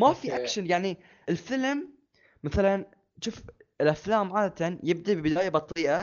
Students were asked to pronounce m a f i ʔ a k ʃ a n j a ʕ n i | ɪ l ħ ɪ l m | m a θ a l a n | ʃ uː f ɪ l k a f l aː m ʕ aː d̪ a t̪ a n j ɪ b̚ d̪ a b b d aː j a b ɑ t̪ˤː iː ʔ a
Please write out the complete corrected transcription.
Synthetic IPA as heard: m a f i ʔ a k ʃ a n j a ʕ n i | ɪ l f ɪ l m | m a θ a l a n | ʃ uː f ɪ l ʔ a f l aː m ʕ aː d̪ a t̪ a n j ɪ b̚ d̪ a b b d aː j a b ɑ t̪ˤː iː ʔ a